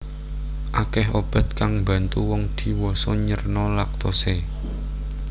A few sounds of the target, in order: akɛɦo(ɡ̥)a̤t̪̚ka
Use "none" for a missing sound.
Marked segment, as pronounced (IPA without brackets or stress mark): b̥